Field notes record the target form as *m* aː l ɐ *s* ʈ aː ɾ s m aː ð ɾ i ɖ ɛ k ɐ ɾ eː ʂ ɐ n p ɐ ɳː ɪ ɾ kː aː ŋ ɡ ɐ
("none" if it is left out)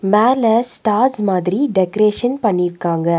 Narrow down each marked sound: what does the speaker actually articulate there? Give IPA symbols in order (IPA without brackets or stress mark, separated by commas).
m, s